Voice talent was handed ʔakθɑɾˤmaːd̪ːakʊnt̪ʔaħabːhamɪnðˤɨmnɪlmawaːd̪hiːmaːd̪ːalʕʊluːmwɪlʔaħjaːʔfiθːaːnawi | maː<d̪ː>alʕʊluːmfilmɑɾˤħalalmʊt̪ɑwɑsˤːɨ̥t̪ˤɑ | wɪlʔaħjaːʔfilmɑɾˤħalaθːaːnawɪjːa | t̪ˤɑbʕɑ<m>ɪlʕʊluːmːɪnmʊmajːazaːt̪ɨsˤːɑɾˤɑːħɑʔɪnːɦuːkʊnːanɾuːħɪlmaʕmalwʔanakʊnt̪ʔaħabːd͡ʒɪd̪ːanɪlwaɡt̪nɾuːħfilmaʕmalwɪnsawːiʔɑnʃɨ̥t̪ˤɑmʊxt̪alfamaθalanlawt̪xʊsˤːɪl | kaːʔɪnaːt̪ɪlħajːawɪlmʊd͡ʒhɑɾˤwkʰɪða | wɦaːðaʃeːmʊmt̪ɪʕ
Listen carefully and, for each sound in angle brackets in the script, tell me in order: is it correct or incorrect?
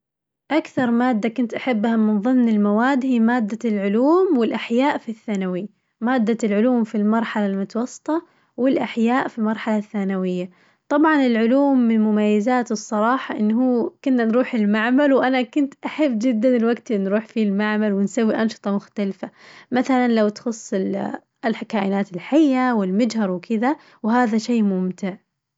correct, incorrect

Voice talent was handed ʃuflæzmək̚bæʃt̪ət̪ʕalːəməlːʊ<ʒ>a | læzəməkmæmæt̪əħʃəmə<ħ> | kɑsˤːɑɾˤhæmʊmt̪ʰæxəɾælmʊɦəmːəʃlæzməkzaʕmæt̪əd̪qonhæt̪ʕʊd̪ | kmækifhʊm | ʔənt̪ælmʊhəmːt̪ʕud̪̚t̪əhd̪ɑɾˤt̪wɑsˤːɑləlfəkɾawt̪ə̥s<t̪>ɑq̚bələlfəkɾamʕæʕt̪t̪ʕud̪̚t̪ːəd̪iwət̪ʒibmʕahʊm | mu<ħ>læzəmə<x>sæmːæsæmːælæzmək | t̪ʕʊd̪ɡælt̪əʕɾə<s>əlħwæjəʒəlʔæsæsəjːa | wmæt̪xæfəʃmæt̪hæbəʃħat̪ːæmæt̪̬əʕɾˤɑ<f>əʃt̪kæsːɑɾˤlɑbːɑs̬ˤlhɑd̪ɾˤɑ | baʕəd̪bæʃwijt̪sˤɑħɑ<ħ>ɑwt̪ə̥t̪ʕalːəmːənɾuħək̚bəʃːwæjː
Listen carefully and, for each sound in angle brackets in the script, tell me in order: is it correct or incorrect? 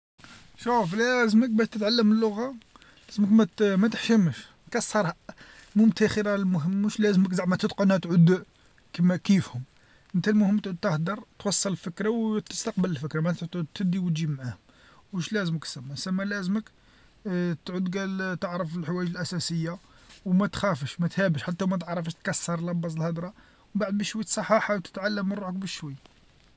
incorrect, incorrect, correct, incorrect, incorrect, incorrect, correct, correct

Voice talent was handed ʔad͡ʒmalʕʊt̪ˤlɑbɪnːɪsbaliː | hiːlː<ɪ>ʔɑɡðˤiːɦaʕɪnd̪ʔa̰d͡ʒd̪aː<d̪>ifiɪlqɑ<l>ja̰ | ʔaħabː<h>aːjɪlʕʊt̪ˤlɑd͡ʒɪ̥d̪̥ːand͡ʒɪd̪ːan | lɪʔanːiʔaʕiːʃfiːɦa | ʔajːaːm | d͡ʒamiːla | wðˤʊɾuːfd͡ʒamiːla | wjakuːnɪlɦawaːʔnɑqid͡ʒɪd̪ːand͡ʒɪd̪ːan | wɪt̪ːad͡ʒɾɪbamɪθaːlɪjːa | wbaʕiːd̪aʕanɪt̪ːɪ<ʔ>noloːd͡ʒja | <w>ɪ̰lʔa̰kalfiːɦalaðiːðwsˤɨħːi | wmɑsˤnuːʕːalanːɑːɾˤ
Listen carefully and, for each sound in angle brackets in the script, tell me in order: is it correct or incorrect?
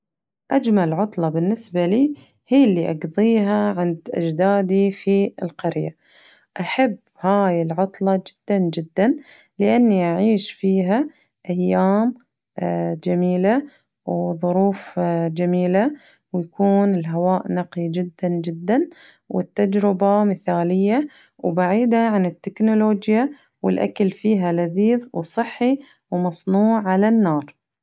incorrect, correct, incorrect, correct, incorrect, correct

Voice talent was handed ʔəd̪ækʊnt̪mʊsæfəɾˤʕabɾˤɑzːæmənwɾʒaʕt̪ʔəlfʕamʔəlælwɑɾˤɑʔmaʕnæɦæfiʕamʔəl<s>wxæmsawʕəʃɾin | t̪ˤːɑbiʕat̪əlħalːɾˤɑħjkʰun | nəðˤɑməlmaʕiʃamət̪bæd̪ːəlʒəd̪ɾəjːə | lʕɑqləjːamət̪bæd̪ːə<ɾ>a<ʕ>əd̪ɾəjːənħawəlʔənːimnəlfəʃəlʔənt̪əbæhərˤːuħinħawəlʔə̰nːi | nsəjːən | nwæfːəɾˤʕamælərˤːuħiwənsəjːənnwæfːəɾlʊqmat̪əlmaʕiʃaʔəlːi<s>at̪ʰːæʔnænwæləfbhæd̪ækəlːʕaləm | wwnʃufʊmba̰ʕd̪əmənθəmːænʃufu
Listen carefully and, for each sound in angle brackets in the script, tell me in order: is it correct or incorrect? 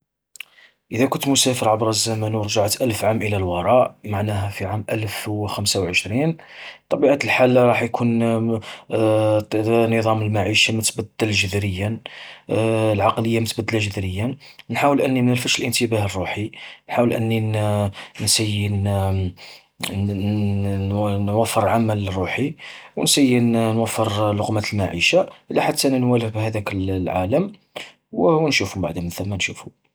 incorrect, incorrect, incorrect, incorrect

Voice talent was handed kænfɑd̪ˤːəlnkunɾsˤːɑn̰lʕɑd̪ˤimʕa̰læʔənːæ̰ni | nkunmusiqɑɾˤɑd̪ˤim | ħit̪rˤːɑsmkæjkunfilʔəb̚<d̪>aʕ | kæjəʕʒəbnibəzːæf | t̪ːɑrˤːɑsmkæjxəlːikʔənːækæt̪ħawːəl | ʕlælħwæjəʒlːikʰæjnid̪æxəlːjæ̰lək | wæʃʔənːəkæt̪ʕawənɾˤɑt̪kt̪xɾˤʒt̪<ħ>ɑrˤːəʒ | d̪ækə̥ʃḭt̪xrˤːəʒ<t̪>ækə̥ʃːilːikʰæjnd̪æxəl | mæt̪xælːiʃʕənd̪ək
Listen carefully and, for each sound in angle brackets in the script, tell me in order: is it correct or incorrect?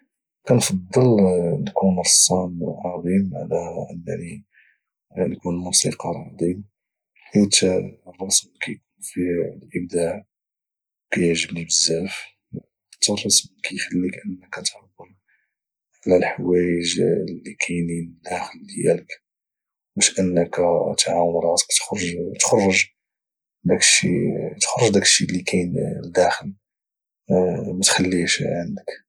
correct, incorrect, incorrect

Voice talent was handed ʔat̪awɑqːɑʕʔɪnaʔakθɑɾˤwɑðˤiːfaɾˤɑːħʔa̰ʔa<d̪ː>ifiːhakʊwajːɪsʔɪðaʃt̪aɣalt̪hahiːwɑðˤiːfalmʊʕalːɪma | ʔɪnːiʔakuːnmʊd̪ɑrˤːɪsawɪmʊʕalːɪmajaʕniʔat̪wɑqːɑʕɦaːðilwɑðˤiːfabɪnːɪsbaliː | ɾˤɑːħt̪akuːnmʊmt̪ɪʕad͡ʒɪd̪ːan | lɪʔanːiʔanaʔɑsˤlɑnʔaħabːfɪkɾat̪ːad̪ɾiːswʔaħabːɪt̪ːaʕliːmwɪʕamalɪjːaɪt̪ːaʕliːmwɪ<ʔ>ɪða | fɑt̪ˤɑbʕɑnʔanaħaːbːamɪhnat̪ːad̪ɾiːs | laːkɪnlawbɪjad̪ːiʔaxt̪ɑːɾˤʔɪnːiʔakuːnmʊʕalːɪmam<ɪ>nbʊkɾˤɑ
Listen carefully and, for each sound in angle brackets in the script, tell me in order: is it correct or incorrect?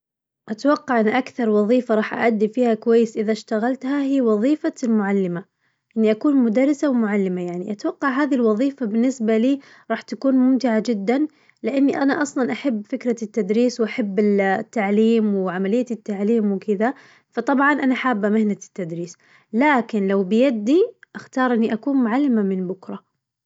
correct, incorrect, correct

